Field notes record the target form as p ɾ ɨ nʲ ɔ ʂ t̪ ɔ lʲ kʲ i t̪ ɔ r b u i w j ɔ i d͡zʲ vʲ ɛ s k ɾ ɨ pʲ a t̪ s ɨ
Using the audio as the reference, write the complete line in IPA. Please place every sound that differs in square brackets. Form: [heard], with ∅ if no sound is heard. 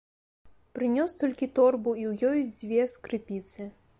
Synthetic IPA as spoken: p ɾ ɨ nʲ ɔ [s] t̪ ɔ lʲ kʲ i t̪ ɔ r b u i w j ɔ [j] d͡zʲ vʲ ɛ s k ɾ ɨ pʲ [i] t̪ s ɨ